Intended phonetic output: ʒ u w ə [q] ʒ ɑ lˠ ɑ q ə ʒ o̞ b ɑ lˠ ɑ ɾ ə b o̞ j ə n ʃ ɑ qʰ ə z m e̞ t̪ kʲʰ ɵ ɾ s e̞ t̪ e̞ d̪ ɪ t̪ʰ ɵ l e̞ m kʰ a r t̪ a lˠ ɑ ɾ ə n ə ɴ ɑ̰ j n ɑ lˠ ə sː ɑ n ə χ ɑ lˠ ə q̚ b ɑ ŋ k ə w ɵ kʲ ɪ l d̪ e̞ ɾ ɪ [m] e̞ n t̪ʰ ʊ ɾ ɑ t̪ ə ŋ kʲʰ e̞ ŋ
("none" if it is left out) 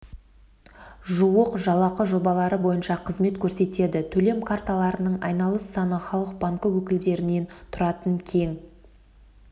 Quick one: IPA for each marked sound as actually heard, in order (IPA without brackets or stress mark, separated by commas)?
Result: q, n